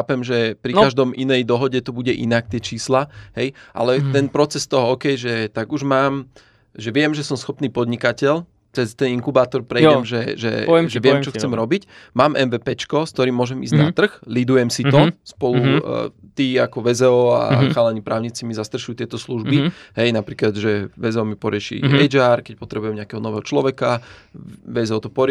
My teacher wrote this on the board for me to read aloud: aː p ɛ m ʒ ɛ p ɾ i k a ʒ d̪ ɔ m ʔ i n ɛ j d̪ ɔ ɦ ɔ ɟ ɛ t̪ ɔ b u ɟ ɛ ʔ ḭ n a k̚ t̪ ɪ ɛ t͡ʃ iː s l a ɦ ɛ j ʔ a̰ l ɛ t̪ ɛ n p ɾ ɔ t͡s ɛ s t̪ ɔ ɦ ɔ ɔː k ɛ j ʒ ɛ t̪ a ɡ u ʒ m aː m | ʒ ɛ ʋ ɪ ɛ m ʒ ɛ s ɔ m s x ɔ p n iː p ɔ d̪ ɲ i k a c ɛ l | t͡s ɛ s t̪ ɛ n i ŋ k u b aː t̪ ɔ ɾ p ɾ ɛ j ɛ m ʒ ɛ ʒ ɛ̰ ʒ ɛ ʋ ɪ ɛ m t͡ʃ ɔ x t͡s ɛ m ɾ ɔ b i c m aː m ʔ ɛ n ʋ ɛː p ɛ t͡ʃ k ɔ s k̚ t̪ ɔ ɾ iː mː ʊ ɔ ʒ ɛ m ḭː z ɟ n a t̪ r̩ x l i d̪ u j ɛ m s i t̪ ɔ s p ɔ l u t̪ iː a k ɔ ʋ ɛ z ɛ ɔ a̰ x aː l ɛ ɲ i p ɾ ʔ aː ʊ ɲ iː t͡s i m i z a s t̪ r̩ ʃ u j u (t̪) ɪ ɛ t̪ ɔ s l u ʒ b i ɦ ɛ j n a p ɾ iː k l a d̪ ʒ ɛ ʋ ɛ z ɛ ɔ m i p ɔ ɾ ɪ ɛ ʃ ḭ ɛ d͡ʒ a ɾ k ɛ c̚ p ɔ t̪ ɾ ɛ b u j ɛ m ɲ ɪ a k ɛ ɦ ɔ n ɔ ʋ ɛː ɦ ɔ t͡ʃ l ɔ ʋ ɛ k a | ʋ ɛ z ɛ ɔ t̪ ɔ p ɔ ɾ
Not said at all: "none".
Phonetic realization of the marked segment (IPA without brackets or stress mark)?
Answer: t̪